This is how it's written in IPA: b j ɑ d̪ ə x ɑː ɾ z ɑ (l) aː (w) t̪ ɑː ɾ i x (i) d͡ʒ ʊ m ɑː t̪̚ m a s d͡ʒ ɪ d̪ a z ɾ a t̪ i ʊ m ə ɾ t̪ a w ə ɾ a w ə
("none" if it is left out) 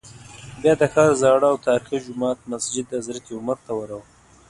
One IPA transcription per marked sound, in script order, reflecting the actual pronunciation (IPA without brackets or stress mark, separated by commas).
ɽ, w, i